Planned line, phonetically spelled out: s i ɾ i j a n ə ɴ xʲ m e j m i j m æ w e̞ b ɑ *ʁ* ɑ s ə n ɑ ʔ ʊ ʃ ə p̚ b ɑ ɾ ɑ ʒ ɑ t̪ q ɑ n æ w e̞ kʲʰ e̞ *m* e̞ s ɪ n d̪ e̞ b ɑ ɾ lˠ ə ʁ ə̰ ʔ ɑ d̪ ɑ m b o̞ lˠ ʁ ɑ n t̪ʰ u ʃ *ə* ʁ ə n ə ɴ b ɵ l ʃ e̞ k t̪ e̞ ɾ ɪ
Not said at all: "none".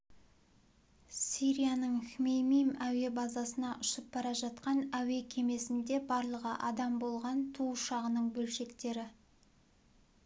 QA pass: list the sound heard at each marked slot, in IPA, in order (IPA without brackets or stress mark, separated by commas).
z, m, ɑ